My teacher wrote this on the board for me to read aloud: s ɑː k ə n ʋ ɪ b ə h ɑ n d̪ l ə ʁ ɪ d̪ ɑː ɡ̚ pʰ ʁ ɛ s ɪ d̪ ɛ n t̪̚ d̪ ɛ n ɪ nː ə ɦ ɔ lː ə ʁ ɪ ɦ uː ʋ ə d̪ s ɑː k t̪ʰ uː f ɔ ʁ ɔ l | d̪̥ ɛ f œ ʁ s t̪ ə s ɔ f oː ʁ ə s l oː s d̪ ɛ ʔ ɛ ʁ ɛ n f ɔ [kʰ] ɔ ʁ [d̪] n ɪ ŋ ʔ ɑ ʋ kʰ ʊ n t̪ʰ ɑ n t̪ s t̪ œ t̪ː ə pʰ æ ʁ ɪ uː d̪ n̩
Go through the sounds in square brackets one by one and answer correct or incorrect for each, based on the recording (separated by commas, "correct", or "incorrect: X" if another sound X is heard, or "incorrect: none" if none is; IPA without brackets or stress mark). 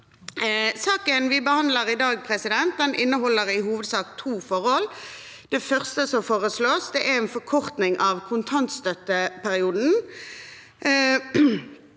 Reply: correct, incorrect: t̪